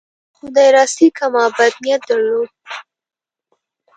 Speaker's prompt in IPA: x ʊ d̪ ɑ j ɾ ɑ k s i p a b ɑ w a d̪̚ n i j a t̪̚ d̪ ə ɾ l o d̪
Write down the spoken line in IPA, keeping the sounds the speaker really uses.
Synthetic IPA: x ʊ d̪ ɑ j ɾ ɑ s i k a m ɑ b a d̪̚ n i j a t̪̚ d̪ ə ɾ l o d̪